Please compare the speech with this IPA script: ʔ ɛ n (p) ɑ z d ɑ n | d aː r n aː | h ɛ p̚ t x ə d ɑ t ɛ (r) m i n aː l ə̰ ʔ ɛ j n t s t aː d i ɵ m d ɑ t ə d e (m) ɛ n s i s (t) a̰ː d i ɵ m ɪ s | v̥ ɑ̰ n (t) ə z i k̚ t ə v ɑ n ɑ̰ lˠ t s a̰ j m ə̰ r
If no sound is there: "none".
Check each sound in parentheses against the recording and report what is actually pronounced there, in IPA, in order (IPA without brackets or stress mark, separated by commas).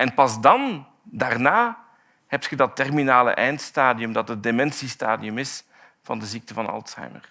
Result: p, r, m, t, d